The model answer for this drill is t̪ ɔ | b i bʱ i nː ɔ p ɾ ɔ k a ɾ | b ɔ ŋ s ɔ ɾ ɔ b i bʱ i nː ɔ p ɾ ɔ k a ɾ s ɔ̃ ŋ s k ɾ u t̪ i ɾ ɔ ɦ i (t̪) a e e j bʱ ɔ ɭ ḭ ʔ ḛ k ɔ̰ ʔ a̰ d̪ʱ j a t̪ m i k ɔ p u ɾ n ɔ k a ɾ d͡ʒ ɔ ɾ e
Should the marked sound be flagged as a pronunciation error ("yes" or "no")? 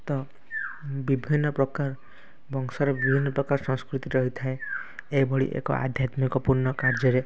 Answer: yes